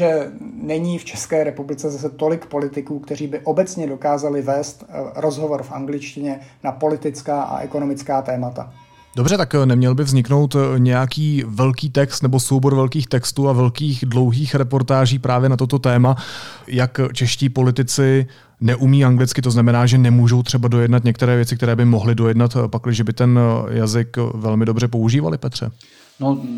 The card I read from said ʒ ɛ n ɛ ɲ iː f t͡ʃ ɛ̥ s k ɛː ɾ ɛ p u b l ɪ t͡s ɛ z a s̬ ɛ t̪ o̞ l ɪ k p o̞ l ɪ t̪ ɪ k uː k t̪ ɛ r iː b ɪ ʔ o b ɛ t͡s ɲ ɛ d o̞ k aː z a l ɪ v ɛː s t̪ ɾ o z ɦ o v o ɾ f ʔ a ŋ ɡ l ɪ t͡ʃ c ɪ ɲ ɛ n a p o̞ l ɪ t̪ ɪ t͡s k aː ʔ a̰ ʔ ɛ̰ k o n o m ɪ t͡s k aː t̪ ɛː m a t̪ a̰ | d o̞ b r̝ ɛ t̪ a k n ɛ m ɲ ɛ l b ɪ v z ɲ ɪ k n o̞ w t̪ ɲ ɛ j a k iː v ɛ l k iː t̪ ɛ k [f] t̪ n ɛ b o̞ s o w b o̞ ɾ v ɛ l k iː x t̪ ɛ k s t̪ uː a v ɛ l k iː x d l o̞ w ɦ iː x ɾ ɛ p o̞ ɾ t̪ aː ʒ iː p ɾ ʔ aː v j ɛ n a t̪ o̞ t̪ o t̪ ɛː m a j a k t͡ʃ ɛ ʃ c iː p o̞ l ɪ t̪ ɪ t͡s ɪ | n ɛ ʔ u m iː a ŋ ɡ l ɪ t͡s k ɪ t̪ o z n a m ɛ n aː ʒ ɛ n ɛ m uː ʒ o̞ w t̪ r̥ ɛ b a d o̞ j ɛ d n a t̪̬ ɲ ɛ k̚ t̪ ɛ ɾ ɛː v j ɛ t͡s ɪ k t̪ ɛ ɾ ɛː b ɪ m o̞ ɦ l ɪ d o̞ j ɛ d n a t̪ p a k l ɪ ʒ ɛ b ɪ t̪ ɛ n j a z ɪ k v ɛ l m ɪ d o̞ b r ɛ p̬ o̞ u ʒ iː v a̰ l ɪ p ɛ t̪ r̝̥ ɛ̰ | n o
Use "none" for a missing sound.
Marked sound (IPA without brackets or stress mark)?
s